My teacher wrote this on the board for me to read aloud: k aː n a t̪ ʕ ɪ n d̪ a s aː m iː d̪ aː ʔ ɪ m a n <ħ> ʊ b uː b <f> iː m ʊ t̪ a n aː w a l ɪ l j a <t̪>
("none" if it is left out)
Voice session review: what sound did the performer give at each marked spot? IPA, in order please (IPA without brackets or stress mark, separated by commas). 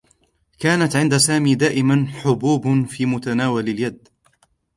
ħ, f, d̪